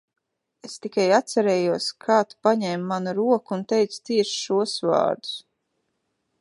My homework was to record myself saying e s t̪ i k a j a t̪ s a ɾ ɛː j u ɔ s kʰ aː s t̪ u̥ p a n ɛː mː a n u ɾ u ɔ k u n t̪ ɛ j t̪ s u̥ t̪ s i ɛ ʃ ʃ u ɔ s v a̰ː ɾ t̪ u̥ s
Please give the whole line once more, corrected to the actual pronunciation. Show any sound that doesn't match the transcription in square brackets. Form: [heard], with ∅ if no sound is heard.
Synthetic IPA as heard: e s t̪ i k a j a t̪ s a ɾ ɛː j u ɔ s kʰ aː [∅] t̪ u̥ p a [ɲ] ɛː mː a n u ɾ u ɔ k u n t̪ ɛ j t̪ s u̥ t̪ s i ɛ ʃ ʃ u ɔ s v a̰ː ɾ [d̪] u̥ s